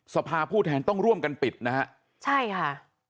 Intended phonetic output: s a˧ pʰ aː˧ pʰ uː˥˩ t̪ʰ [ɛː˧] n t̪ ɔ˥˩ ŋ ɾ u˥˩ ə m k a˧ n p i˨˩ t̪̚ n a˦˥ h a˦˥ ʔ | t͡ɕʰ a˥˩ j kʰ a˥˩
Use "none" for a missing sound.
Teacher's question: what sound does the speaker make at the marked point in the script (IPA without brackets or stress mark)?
ɛː˧